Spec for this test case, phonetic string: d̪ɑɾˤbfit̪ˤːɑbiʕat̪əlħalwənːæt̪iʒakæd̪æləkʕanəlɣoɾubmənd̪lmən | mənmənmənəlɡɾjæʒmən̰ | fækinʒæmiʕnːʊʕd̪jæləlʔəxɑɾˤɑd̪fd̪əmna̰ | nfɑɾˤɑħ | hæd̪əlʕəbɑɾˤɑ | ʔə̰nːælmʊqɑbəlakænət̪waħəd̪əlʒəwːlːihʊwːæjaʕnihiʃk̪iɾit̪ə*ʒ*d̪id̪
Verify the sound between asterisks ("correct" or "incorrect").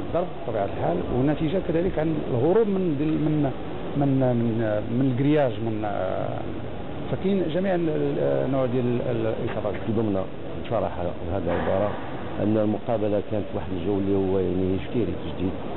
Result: correct